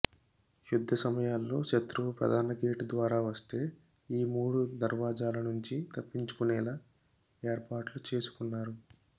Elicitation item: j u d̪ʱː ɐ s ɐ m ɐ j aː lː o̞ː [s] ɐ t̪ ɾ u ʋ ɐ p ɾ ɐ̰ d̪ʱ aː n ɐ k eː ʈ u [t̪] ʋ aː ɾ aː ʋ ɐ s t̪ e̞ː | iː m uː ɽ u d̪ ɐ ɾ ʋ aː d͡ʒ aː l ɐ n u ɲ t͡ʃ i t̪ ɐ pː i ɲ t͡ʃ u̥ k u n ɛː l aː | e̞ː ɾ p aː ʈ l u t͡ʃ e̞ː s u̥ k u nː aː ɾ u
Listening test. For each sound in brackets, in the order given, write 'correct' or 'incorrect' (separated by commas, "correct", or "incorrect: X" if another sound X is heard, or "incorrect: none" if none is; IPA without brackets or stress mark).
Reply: incorrect: ʃ, incorrect: d̪